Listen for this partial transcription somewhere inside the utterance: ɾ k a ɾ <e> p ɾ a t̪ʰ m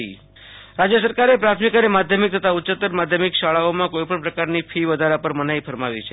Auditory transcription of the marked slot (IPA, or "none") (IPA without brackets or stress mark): e